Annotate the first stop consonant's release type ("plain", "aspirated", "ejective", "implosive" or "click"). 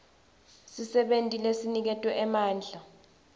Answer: implosive